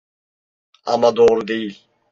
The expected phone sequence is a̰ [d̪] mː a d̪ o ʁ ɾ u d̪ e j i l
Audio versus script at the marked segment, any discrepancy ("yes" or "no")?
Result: yes